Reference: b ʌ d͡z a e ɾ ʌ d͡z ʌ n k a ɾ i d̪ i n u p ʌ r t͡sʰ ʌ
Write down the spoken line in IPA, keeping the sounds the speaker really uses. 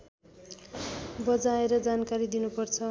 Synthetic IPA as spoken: b ʌ d͡z a e ɾ ʌ d͡z a n k a ɾ i d̪ i n u p ʌ r t͡sʰ ʌ